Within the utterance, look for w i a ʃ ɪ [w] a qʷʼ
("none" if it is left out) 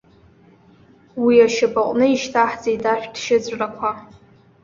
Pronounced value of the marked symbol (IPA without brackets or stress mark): b